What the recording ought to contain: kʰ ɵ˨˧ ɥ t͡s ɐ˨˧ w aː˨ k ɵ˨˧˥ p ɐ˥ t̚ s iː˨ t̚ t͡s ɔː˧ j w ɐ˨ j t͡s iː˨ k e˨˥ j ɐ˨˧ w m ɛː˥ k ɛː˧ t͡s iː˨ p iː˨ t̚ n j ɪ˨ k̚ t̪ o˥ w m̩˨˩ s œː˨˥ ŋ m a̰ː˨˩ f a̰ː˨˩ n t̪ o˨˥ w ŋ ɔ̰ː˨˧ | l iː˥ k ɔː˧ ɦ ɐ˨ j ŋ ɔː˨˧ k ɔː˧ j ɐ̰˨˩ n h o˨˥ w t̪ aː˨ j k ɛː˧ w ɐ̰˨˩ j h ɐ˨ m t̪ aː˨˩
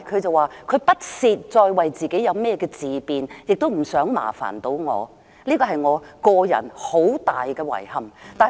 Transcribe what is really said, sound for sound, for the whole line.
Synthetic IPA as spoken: kʰ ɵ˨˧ ɥ t͡s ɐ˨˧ w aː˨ kʰ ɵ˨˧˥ p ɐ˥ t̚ s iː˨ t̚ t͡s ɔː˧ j w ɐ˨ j t͡s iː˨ k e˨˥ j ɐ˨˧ w m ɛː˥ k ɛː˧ t͡s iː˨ p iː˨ n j ɪ˨ k̚ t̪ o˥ w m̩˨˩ s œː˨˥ ŋ m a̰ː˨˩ f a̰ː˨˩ n t̪ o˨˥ w ŋ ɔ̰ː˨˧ | l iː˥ k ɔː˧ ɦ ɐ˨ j ŋ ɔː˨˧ k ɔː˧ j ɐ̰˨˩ n h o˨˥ w t̪ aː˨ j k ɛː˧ w ɐ̰˨˩ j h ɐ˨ m t̪ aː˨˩